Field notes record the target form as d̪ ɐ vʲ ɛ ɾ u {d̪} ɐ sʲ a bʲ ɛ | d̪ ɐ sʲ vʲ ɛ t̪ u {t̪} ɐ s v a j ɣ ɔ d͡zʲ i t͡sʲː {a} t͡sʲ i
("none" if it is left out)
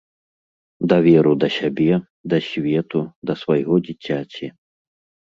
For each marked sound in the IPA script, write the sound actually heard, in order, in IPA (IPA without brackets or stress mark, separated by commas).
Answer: d̪, d̪, a